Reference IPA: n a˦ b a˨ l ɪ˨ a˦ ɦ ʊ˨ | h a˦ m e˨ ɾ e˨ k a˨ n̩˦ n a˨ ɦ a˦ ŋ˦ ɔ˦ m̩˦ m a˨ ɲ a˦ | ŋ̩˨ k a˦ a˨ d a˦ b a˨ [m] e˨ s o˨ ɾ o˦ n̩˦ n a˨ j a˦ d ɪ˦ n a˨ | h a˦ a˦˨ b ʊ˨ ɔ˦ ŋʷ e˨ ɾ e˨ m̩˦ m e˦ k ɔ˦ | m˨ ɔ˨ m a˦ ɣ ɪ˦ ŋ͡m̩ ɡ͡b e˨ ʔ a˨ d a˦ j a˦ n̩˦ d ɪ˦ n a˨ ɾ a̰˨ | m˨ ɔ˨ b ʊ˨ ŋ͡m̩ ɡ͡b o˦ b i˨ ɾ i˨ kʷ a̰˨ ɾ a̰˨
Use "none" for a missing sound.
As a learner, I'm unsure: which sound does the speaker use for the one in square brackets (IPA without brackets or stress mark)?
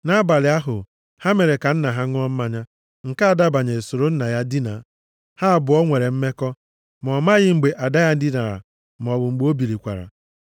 ɲ